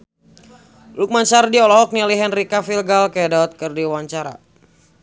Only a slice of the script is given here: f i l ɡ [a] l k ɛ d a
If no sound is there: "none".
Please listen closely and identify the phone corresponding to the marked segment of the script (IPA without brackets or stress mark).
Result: a